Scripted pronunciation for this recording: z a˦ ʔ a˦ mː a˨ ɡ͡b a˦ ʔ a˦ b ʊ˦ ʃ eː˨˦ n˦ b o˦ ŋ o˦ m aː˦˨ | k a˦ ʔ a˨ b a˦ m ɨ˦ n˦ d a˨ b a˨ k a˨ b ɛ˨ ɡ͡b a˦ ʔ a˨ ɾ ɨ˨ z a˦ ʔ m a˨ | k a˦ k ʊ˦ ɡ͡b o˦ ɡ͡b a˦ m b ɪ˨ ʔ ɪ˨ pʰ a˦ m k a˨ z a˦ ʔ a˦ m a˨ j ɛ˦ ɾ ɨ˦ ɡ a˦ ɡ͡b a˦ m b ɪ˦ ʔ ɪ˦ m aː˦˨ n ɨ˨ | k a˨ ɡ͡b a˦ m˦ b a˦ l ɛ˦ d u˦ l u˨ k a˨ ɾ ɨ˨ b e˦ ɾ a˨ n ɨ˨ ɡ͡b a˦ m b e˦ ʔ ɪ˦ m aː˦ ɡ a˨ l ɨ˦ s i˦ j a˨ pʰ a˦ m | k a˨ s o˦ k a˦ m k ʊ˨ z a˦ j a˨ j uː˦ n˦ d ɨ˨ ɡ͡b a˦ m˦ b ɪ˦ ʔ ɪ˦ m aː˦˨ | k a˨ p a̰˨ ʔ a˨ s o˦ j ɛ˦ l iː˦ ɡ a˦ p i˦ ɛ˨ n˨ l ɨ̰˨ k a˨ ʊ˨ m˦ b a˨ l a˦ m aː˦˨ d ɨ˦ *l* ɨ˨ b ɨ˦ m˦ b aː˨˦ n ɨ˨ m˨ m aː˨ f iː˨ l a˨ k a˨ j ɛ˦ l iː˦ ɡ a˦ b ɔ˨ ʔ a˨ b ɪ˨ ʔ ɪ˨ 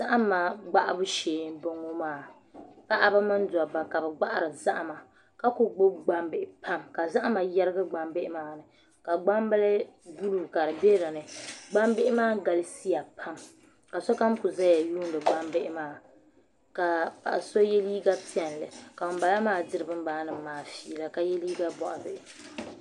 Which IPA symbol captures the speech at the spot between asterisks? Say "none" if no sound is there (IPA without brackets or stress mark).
ɾ